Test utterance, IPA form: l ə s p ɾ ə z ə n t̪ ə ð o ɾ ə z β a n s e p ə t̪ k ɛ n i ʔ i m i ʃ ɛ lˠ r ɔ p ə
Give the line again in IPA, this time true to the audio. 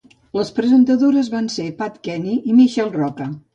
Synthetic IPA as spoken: l ə s p ɾ ə z ə n t̪ ə ð o ɾ ə z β a n s e p a t̪ k ɛ n i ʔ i m i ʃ ɛ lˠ r ɔ k ə